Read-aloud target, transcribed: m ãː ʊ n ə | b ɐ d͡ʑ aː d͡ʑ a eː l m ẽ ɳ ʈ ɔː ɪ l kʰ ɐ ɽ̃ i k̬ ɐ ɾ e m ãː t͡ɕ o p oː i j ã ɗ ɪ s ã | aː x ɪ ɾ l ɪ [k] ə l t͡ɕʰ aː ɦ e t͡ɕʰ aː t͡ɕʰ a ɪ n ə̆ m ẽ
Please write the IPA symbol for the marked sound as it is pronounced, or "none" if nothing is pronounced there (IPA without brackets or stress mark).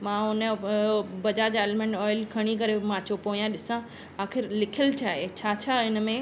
kʰ